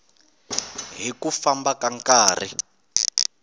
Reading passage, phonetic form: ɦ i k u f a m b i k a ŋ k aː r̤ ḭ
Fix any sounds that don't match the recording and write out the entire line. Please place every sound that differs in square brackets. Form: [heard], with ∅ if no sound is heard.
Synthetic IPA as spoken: ɦ i k u f a m b [a] k a ŋ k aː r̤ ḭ